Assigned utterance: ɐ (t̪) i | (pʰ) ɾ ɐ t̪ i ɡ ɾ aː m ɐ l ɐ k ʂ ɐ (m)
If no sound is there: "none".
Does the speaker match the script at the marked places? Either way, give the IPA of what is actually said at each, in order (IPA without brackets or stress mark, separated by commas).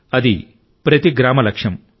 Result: d̪, p, m